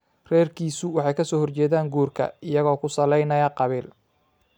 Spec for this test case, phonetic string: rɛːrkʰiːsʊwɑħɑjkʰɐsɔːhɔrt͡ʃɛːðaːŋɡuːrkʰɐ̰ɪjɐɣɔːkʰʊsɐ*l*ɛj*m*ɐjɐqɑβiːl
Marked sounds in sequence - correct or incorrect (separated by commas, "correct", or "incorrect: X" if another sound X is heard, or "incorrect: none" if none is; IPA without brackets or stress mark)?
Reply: correct, incorrect: n